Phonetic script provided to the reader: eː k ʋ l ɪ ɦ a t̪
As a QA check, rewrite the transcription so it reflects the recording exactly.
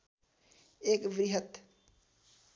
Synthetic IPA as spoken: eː k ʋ ɾ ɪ ɦ ə t̪